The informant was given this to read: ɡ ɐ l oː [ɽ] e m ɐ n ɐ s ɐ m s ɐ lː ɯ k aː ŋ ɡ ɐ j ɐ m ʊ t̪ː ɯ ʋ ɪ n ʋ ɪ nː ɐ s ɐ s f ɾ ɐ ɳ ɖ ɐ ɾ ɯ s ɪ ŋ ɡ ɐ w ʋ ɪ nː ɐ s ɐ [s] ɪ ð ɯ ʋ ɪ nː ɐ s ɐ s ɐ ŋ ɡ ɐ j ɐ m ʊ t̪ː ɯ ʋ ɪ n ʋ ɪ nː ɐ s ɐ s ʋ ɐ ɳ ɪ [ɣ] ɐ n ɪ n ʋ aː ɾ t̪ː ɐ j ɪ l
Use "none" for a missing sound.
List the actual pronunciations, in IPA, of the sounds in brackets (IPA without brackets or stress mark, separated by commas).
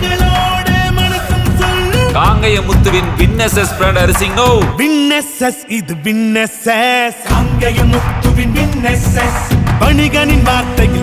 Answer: ɽ, s, ɣ